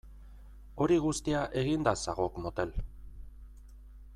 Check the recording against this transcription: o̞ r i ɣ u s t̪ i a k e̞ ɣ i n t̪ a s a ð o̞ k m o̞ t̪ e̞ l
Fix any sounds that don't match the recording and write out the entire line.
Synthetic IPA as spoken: o̞ ɾ i ɣ u s t̪ i a ʔ e̞ ɣ i n d̪ a s a ɣ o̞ k m o̞ t̪ e̞ l